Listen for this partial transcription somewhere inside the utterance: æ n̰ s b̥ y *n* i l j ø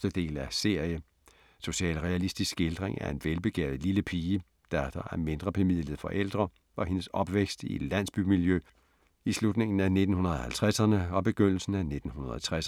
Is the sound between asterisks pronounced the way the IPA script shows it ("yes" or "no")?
no